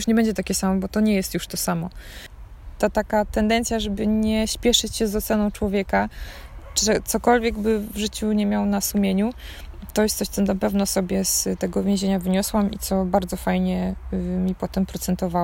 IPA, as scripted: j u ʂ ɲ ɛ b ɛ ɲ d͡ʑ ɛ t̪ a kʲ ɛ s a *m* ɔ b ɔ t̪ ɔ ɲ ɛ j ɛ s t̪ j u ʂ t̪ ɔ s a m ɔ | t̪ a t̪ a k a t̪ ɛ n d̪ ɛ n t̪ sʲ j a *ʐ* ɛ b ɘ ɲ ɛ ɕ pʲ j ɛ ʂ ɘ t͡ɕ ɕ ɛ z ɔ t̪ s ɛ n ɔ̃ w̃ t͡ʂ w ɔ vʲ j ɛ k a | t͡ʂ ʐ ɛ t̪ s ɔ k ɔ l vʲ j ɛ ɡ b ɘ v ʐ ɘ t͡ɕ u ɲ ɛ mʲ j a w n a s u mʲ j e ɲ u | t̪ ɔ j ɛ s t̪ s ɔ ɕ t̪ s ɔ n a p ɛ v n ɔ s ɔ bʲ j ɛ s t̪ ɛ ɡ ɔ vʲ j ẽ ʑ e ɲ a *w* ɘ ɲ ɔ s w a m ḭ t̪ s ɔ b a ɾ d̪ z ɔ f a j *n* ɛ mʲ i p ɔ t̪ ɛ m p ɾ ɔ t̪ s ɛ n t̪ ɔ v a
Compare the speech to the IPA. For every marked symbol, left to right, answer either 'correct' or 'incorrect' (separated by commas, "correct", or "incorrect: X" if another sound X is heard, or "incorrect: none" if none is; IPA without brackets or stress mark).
correct, correct, incorrect: v, incorrect: ɲ